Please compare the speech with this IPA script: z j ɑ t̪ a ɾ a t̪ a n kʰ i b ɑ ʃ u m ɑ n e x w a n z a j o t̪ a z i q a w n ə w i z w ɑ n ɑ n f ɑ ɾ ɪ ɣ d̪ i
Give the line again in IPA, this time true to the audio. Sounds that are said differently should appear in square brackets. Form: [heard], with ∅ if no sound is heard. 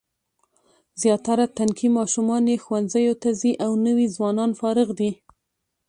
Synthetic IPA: z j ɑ t̪ a ɾ a t̪ a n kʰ i [m] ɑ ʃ u m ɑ n e x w a n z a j o t̪ a z i [ʔ] a w n ə w i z w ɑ n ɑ n f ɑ ɾ ɪ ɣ d̪ i